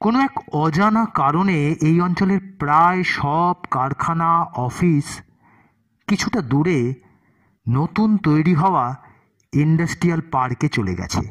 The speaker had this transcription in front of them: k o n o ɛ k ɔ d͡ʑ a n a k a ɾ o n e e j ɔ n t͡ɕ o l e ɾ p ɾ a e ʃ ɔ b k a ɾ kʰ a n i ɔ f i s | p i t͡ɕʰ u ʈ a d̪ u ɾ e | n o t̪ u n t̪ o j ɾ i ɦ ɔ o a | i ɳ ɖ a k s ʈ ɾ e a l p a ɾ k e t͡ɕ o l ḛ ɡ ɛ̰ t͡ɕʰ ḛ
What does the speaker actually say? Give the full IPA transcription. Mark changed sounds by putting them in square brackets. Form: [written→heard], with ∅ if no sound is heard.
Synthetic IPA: k o n o ɛ k ɔ d͡ʑ a n a k a ɾ o n e e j ɔ n t͡ɕ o l e ɾ p ɾ a e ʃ ɔ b k a ɾ kʰ a n [i→a] ɔ f i s | [p→k] i t͡ɕʰ u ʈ a d̪ u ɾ e | n o t̪ u n t̪ o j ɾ i ɦ ɔ o a | i ɳ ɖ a [k→∅] s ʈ ɾ [e→i] a l p a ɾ k e t͡ɕ o l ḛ ɡ ɛ̰ t͡ɕʰ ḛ